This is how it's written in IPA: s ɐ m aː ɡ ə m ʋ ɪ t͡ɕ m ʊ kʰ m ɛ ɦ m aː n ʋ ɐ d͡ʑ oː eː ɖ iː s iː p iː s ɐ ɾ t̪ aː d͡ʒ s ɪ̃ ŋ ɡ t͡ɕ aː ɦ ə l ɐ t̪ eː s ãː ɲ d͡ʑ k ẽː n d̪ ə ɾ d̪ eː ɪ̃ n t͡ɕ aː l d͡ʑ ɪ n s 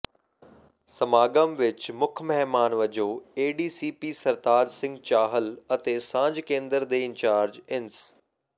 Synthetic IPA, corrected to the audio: s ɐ m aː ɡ ə m ʋ ɪ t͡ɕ m ʊ kʰ m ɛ ɦ m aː n ʋ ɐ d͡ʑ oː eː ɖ iː s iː p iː s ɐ ɾ t̪ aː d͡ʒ s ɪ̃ ŋ ɡ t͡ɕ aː ɦ ə l ɐ t̪ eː s ãː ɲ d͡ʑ k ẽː n d̪ ə ɾ d̪ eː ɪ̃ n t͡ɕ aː ɾ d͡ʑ ɪ n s